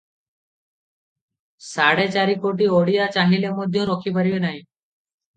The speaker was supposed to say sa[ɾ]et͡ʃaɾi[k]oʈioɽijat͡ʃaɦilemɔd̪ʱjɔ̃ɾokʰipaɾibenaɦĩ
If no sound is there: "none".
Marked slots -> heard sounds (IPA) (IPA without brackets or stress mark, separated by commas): ɽ, k